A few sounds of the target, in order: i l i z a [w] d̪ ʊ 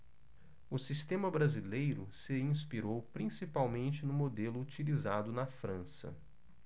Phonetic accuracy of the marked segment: incorrect: none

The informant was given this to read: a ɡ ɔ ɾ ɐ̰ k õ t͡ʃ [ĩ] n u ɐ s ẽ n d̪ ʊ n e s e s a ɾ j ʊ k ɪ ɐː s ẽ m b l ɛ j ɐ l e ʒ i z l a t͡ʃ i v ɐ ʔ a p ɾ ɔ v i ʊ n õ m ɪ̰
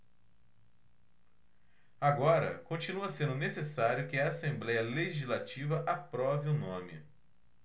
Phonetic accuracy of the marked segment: incorrect: i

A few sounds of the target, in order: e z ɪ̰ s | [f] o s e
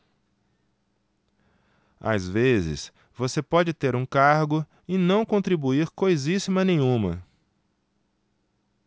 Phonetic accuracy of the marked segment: incorrect: v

